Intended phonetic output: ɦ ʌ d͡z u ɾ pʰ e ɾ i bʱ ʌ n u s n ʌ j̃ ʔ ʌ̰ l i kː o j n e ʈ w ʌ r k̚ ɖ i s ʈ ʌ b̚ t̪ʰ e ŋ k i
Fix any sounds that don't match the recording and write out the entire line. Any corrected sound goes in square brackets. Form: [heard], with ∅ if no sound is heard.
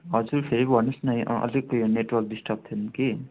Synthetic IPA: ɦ ʌ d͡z u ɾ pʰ e ɾ i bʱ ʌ n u s n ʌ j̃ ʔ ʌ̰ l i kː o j n e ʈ w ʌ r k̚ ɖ i s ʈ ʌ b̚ t̪ʰ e [n] k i